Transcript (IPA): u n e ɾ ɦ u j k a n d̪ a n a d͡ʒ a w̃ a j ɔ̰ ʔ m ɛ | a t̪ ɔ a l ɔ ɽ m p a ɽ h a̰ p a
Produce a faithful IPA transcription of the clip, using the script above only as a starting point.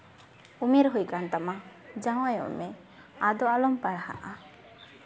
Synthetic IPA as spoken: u m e ɾ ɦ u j k a n t̪ a m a d͡ʒ a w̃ a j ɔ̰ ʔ m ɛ | a d̪ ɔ a l ɔ m p a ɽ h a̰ ʔ a